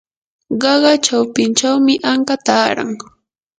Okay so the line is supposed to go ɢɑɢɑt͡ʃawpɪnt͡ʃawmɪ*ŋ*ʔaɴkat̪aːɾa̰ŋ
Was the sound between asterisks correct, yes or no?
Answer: no